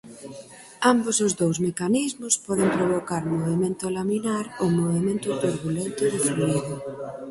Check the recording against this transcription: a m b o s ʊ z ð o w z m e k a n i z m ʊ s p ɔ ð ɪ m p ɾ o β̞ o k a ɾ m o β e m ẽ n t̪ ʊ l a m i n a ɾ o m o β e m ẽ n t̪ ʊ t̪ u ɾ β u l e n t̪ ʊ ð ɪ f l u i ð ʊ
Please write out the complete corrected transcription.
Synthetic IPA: a m b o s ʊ z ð o w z m e k a n i z m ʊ s p ɔ ð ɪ m p ɾ o β̞ o k a ɾ m o β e m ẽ n t̪ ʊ l a m i n a ɾ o m o β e m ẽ n t̪ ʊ t̪ u ɾ β u l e n t̪ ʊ ð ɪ f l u i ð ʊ